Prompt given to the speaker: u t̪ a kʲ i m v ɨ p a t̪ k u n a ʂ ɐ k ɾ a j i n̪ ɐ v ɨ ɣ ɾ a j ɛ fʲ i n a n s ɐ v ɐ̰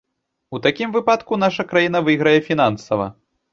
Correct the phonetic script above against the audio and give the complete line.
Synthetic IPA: u t̪ a kʲ i m v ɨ p a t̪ k u n a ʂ ɐ k ɾ a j i n̪ ɐ v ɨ ɣ ɾ ɐ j ɛ fʲ i n a n s ɐ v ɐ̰